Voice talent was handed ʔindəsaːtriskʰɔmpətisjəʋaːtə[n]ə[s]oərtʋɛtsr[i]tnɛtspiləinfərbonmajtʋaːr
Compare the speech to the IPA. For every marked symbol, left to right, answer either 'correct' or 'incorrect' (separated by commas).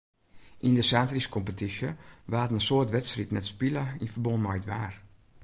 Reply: correct, correct, correct